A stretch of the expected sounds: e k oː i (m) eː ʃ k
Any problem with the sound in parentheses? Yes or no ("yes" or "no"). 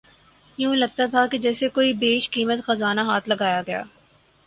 yes